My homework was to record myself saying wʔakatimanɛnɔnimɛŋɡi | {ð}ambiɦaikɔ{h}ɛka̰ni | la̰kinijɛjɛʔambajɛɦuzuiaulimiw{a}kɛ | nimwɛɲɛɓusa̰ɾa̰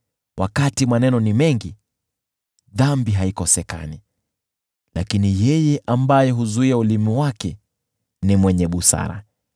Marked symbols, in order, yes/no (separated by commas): yes, no, yes